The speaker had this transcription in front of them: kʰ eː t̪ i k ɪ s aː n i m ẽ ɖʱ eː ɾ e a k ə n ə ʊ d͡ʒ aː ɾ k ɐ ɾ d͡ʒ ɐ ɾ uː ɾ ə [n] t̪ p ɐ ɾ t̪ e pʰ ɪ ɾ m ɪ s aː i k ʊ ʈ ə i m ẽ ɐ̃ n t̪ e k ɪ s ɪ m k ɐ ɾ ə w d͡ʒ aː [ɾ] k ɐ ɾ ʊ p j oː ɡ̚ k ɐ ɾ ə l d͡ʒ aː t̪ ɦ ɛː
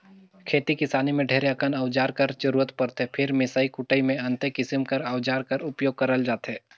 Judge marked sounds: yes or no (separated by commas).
no, yes